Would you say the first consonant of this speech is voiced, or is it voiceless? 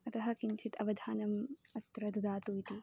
voiceless